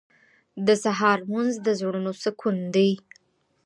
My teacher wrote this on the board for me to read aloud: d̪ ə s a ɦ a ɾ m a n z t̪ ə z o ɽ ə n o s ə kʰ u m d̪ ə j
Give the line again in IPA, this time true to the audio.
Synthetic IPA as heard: d̪ ə s a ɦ ɑ ɾ m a n z d̪ ə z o ɽ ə n o s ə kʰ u n d̪ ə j